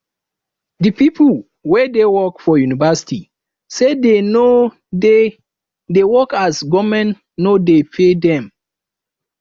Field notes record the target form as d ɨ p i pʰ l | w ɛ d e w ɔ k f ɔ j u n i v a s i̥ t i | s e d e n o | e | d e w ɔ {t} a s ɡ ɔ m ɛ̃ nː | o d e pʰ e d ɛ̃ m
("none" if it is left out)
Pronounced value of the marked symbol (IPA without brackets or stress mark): k